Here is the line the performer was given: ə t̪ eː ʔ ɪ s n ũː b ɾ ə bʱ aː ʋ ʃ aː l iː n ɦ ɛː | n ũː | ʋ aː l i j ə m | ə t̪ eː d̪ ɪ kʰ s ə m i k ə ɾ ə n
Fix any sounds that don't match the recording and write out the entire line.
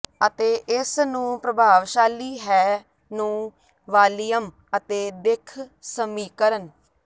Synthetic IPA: ə t̪ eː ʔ ɪ s n ũː p ɾ ə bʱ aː ʋ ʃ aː l iː ɦ ɛː | n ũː | ʋ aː l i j ə m | ə t̪ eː d̪ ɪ kʰ s ə m iː k ə ɾ ə n